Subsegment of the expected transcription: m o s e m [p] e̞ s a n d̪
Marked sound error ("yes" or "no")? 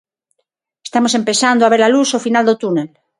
no